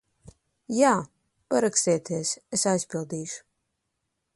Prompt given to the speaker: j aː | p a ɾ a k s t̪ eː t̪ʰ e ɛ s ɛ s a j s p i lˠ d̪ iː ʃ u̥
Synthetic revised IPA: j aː | p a ɾ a k s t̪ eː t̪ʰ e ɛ s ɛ s a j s p i lˠ d̪ iː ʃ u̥